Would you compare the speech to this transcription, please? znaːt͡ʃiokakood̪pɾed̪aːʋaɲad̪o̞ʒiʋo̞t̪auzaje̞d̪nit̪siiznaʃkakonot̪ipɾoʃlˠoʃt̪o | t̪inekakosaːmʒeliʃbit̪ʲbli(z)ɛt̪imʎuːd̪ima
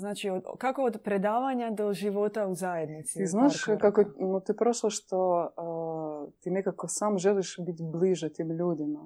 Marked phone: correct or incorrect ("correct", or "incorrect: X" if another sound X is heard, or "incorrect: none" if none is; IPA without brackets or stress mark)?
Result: incorrect: ʒ